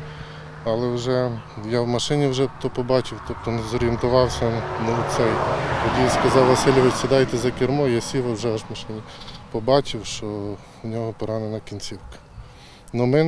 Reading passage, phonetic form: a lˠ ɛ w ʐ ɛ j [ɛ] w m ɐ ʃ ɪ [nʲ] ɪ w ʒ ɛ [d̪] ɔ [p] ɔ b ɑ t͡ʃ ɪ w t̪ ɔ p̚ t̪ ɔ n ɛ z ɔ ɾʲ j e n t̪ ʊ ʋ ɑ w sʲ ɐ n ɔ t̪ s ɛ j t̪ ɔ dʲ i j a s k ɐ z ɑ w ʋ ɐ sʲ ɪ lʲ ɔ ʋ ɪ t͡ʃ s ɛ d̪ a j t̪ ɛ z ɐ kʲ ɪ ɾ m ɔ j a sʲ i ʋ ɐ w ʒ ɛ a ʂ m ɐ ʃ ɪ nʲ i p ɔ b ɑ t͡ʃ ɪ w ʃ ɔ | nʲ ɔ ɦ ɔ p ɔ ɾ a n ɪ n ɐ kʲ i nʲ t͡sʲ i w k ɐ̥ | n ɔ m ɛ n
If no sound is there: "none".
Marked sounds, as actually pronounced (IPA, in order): a, nʲ, t̪, p

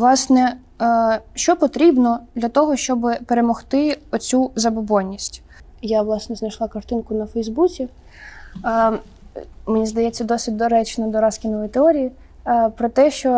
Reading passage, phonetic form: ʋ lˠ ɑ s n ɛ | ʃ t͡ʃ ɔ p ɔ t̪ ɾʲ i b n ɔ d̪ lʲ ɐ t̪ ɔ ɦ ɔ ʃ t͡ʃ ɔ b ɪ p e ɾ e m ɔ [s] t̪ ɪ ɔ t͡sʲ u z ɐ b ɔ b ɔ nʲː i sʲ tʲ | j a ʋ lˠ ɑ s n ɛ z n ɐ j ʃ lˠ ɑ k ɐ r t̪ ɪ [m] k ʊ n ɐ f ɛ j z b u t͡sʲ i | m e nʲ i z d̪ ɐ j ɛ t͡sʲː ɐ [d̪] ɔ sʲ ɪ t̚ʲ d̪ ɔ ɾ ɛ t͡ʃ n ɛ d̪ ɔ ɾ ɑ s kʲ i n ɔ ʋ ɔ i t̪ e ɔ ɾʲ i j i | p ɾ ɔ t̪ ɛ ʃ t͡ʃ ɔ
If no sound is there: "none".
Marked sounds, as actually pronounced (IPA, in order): x, n, d̪

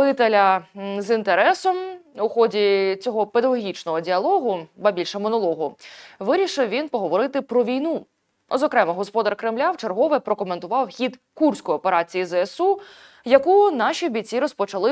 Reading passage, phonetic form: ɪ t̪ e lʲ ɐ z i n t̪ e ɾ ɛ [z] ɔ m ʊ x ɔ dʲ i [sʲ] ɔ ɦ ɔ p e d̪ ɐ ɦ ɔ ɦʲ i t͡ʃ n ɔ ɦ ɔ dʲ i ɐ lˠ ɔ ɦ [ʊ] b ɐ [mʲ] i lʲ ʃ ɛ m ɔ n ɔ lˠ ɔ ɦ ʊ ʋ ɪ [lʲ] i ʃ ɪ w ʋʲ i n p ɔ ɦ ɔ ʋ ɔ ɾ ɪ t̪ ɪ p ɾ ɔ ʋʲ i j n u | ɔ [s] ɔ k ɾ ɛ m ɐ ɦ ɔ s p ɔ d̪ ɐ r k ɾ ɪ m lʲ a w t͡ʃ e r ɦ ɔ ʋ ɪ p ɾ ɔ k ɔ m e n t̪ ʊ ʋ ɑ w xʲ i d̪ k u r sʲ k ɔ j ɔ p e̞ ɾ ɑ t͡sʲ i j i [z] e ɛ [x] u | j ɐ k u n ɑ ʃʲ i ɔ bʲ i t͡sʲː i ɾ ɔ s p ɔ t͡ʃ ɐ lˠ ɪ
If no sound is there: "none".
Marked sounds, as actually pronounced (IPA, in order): s, t͡sʲ, ʊ, bʲ, ɾʲ, z, z, s

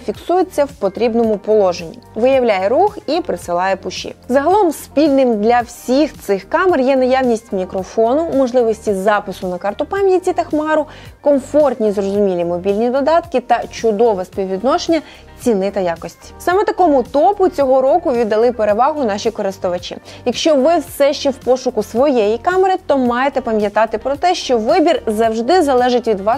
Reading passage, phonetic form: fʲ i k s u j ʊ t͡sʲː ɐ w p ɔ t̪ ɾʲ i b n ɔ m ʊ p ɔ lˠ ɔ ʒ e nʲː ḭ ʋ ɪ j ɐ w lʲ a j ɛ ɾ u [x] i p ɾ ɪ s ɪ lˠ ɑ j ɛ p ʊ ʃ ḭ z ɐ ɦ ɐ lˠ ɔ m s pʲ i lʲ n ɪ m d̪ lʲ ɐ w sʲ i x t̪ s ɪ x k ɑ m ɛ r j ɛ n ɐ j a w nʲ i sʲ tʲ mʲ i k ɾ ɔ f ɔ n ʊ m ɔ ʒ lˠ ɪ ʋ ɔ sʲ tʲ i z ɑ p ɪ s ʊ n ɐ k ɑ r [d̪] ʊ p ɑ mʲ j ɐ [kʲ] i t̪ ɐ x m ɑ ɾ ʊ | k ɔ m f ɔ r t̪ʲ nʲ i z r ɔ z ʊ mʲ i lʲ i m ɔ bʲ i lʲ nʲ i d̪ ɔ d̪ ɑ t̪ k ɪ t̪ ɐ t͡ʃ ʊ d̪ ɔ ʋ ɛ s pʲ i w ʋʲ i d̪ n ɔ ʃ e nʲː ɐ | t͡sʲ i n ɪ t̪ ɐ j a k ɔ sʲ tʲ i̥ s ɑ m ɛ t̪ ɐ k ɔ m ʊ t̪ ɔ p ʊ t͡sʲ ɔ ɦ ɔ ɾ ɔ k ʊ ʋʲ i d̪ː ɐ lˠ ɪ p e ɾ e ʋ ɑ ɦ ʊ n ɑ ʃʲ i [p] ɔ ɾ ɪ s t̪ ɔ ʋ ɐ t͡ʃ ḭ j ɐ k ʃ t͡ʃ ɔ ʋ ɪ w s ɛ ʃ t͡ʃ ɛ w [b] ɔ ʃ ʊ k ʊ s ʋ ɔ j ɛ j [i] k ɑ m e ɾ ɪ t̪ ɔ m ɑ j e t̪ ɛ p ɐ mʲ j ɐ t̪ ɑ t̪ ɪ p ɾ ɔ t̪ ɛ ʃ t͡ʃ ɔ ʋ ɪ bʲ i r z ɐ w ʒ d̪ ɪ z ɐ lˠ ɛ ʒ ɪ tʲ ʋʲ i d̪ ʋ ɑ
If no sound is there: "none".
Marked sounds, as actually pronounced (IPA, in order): x, t̪, tʲ, k, p, i

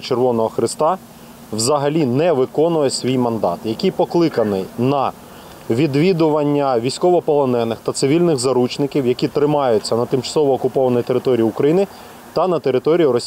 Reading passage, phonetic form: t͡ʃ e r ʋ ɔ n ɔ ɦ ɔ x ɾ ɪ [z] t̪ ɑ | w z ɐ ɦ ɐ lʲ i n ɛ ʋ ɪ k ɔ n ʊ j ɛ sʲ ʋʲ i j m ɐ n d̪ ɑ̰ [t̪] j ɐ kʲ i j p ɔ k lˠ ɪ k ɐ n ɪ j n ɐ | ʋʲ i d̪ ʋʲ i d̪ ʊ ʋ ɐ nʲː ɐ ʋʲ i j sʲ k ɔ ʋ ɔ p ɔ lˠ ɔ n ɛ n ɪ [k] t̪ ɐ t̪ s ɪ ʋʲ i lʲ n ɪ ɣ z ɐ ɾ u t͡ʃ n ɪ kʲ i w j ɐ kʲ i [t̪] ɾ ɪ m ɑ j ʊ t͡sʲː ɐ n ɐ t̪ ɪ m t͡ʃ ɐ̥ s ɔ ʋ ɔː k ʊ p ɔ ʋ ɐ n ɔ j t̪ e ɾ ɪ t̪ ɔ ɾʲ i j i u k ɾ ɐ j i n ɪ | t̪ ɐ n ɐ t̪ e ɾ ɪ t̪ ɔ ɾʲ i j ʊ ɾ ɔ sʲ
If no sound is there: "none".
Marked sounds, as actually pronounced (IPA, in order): s, t̪, x, t̪

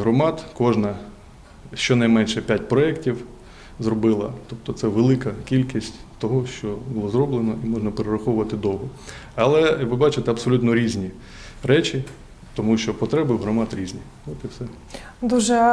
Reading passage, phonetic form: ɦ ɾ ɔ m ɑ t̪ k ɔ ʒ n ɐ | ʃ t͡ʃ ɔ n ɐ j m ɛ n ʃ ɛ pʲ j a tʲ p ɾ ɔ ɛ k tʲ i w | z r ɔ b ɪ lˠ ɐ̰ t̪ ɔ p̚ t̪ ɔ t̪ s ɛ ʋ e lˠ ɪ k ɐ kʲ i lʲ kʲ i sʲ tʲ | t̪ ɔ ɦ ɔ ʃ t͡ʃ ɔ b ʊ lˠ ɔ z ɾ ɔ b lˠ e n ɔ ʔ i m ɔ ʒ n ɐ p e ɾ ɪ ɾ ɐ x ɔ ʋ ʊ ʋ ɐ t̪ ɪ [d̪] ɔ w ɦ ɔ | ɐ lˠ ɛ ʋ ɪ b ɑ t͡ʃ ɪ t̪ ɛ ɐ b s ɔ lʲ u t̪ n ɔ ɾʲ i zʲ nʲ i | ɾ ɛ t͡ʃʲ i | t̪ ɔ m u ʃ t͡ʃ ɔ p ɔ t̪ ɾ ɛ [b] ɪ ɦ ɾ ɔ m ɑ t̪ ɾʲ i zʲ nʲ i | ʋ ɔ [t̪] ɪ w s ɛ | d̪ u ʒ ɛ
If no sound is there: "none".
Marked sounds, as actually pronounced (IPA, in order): d̪, b, t̪

